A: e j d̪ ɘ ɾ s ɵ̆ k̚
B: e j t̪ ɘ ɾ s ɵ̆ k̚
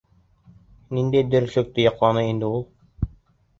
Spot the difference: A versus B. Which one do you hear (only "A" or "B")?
A